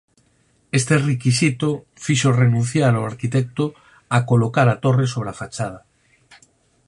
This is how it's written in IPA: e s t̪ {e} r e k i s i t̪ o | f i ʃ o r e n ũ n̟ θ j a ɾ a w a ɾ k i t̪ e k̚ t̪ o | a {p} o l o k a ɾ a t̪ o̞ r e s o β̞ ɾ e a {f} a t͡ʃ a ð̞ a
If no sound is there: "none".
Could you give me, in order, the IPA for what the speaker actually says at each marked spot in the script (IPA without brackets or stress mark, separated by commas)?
e, k, f